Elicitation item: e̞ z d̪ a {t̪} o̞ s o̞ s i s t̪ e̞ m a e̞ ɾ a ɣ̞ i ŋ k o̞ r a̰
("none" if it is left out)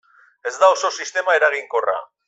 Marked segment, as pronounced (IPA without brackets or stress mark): none